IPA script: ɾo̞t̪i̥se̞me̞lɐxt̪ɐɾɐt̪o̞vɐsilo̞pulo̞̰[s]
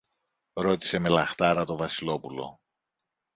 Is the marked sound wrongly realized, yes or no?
yes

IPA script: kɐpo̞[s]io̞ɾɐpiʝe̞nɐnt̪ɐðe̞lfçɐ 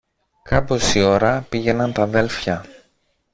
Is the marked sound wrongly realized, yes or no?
no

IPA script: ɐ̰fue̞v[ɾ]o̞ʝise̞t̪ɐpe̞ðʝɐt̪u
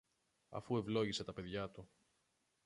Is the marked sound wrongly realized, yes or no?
yes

